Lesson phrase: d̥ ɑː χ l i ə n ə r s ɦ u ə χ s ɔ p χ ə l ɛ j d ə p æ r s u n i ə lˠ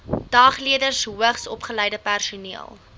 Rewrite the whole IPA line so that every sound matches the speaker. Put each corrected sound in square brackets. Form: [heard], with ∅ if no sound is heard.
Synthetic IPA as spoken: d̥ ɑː χ l i ə [d] ə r s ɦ u ə χ s ɔ p χ ə l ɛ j d ə p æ r s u n i ə lˠ